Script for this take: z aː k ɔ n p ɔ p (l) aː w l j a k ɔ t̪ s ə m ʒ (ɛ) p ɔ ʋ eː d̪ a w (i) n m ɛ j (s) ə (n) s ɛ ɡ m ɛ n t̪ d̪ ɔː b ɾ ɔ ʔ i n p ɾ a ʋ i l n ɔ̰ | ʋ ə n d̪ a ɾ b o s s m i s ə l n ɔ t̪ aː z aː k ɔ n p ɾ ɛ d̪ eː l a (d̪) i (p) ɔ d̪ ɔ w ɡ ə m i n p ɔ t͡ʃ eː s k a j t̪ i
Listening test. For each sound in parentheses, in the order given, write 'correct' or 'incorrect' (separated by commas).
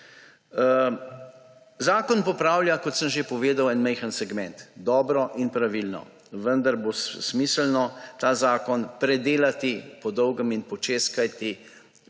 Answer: incorrect, incorrect, incorrect, incorrect, correct, incorrect, correct